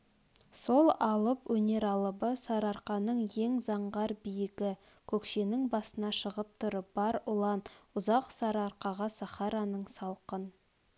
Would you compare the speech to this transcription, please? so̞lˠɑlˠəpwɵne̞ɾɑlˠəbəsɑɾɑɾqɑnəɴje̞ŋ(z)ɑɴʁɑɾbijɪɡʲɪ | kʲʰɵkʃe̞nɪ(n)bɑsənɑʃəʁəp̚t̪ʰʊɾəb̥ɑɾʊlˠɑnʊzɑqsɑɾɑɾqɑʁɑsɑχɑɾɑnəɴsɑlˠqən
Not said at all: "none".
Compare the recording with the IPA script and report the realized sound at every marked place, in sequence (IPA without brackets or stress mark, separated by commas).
z, ŋ